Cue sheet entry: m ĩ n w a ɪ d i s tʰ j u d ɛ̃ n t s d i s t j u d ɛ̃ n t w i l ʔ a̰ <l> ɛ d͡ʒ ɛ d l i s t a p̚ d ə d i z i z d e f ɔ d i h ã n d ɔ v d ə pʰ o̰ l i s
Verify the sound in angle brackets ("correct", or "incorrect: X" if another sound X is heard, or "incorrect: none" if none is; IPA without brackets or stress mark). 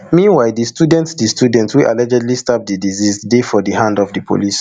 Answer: correct